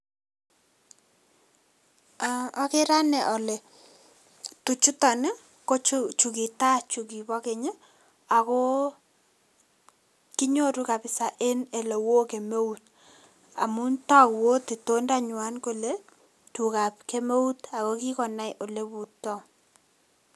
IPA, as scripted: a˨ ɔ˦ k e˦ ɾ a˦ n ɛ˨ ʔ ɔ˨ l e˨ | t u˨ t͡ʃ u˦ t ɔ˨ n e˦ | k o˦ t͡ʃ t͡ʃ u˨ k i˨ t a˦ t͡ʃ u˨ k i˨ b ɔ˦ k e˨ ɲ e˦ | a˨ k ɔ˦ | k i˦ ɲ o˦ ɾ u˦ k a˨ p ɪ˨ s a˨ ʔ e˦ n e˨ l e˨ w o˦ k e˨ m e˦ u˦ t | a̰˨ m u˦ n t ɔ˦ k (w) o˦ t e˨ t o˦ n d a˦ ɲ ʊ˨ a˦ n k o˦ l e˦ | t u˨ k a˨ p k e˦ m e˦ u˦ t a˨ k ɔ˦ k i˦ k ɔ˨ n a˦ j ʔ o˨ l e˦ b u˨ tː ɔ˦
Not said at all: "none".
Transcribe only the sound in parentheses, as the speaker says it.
w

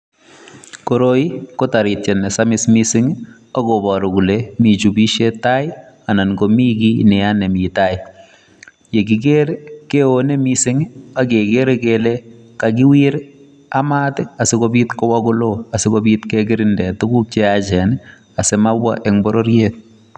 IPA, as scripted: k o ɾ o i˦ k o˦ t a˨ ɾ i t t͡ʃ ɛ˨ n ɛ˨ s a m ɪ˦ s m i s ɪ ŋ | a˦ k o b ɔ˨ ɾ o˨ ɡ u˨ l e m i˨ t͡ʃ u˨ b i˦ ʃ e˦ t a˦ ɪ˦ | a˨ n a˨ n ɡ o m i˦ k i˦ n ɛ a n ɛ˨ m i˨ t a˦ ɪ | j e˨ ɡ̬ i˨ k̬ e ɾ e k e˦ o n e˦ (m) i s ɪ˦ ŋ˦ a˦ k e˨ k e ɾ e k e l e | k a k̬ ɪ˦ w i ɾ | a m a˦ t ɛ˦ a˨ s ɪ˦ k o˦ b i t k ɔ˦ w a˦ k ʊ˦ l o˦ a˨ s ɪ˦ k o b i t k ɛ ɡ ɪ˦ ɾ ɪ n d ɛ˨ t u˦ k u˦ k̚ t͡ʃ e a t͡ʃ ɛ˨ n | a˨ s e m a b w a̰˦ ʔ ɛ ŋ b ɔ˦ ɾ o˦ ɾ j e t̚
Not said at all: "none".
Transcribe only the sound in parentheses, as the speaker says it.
m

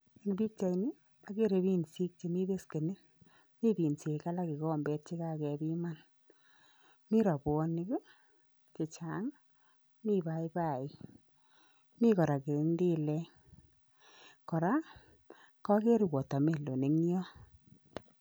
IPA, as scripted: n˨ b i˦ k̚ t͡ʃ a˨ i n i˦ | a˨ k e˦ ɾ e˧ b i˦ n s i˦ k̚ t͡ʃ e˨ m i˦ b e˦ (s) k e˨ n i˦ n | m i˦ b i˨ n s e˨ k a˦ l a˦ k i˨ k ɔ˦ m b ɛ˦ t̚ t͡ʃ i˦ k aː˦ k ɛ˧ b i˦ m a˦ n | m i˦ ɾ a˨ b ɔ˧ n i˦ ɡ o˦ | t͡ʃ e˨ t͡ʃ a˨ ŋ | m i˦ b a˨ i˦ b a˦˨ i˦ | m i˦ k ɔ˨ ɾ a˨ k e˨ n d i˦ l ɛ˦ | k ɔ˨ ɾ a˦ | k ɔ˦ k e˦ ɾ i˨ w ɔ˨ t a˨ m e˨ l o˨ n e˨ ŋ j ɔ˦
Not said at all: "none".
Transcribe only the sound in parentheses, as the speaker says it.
s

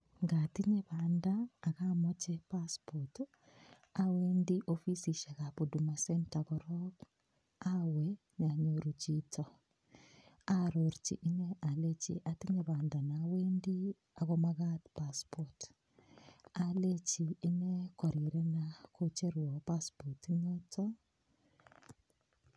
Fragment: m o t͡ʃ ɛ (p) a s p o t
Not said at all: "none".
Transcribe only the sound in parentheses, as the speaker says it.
p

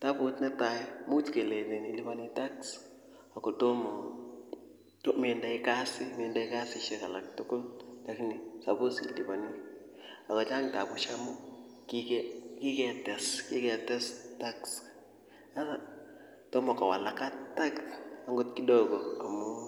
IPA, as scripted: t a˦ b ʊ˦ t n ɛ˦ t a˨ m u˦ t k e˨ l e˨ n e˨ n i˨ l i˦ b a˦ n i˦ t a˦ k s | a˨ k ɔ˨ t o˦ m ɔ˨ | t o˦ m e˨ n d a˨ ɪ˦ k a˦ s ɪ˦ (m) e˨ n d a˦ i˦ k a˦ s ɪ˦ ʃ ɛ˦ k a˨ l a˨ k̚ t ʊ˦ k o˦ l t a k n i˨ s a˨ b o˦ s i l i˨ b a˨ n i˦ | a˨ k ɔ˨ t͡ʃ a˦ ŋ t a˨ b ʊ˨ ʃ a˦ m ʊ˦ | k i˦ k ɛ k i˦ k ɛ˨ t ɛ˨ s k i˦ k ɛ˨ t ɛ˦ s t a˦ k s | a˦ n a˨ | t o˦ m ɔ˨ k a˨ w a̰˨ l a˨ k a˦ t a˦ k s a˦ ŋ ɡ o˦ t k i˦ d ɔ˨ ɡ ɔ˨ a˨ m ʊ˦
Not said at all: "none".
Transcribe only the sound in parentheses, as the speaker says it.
m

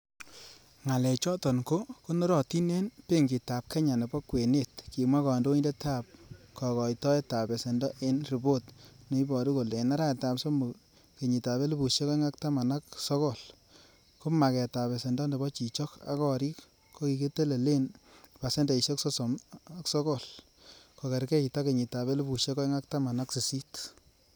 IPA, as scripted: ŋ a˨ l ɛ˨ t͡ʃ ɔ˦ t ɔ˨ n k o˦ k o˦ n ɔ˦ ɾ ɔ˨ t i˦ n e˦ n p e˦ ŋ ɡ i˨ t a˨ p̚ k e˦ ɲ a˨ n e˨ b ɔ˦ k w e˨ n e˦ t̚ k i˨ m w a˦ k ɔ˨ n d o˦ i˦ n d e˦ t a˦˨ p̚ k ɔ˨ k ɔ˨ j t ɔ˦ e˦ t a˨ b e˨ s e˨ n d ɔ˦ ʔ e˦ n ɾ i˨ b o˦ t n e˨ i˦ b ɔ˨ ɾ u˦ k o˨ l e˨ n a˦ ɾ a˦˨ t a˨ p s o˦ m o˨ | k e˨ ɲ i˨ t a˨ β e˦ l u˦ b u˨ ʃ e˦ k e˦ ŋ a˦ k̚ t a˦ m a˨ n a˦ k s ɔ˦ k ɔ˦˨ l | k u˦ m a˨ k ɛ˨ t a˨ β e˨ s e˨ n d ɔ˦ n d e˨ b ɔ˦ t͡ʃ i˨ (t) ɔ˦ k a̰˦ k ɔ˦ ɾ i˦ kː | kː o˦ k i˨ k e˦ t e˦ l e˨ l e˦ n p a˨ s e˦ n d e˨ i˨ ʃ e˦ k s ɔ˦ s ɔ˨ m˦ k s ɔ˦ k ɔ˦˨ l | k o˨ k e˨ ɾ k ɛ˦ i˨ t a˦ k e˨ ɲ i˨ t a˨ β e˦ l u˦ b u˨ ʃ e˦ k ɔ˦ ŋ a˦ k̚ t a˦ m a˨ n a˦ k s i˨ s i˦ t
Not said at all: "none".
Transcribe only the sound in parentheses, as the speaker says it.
t͡ʃ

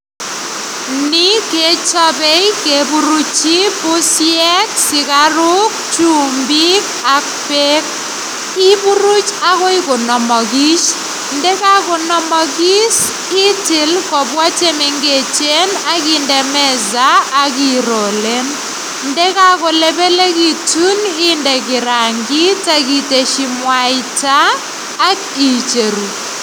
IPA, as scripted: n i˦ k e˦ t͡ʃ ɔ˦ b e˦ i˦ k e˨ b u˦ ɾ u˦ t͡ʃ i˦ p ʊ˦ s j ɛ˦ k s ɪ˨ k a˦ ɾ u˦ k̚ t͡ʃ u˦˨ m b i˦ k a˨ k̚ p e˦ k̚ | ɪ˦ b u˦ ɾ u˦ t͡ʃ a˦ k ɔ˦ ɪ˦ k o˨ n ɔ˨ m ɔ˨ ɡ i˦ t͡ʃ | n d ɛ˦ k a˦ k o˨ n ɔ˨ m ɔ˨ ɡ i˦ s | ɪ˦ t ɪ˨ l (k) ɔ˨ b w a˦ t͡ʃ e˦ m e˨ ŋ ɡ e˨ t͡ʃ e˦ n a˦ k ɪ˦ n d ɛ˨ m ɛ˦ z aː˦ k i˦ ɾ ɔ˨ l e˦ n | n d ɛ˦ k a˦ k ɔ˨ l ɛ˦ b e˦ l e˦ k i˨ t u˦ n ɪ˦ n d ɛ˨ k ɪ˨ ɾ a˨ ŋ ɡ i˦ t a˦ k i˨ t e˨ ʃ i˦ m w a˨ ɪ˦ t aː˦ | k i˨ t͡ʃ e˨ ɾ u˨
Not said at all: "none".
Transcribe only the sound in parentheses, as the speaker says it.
k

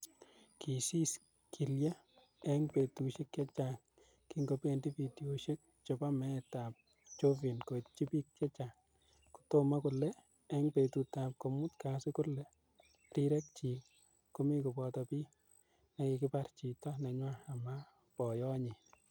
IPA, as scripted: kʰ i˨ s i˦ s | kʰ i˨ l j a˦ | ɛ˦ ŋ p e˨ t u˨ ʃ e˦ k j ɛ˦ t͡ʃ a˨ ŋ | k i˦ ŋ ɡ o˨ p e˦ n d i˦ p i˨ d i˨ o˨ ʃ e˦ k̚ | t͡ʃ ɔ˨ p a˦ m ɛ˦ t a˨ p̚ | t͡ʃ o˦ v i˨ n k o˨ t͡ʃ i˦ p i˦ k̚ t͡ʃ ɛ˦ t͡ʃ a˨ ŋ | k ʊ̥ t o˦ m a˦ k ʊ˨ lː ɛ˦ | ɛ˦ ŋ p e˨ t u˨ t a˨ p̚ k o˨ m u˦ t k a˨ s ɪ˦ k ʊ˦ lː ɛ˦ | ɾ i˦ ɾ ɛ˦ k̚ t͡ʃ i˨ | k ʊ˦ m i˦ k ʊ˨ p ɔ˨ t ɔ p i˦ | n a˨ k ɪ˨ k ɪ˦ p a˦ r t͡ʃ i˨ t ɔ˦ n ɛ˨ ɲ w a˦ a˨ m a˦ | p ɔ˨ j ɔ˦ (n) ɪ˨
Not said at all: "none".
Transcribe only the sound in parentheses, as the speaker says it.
ɲ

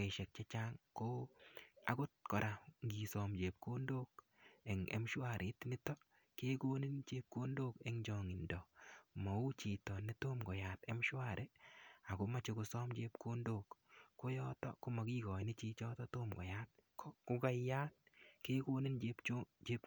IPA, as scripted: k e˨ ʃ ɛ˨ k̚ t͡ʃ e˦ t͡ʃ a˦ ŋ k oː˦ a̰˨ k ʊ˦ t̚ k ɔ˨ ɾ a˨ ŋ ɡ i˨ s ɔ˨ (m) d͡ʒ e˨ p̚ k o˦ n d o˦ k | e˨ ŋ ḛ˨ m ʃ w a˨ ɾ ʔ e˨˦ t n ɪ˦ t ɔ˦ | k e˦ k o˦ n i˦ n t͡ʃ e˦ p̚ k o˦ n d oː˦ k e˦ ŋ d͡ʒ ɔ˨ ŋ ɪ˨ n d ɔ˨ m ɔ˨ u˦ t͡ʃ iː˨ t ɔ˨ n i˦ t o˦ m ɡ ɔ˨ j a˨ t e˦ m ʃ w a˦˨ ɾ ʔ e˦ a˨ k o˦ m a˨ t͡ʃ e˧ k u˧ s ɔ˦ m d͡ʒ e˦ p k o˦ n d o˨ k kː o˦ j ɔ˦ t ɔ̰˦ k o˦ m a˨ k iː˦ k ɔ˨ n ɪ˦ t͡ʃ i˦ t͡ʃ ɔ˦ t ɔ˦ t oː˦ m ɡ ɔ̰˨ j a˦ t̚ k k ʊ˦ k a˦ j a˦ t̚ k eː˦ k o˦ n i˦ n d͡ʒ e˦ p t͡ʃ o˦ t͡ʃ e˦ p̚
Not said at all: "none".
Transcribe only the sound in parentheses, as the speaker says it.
m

